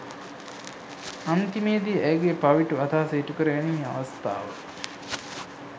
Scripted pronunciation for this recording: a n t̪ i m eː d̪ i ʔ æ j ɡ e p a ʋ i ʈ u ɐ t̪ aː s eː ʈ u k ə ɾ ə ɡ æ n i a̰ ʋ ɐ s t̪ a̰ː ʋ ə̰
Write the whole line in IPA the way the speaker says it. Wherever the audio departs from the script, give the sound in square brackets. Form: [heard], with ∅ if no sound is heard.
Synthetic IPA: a n t̪ i m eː d̪ i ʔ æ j ɡ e p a ʋ i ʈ u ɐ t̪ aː s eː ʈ u k ə ɾ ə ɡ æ n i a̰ ʋ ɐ s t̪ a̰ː ʋ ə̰